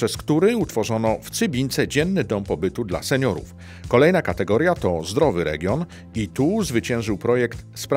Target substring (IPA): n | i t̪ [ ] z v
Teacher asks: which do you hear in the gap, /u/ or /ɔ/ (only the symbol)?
u